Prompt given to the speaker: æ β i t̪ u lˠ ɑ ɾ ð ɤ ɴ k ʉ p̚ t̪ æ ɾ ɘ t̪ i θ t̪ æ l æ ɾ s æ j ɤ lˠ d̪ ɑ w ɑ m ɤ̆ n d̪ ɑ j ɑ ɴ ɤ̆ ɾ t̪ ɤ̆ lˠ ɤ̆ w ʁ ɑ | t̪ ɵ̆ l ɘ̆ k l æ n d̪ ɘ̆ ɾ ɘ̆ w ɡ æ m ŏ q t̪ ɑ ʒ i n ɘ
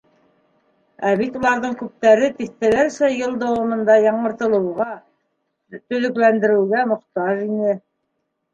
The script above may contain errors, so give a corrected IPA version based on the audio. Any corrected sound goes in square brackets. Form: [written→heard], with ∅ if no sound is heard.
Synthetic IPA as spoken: æ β i t̪ u lˠ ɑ ɾ ð ɤ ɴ k ʉ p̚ t̪ æ ɾ ɘ t̪ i θ t̪ æ l æ ɾ s æ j ɤ lˠ d̪ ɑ w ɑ m ɤ̆ n d̪ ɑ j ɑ ɴ ɤ̆ ɾ t̪ ɤ̆ lˠ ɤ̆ w ʁ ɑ | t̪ ɵ̆ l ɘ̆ k l æ n d̪ ɘ̆ ɾ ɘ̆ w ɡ æ m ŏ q t̪ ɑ ʒ i n ɘ